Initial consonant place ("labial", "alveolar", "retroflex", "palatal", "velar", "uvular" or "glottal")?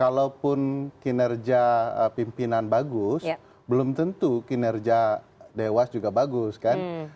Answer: velar